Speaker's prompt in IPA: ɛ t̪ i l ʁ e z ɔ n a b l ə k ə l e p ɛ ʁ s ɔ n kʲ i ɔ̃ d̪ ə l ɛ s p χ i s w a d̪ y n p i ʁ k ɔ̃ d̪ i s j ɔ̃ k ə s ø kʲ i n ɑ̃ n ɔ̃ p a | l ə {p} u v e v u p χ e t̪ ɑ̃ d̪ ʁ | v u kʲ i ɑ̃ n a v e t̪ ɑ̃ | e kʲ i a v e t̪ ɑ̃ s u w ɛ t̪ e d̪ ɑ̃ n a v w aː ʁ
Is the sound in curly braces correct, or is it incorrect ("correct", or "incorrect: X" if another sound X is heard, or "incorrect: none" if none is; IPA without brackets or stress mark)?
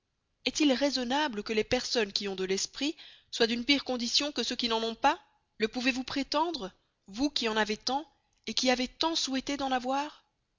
correct